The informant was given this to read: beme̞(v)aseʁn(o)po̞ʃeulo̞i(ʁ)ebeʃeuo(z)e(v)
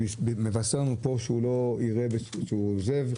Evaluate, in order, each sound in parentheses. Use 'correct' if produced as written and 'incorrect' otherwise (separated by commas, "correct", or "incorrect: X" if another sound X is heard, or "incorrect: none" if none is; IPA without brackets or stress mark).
correct, incorrect: u, correct, correct, correct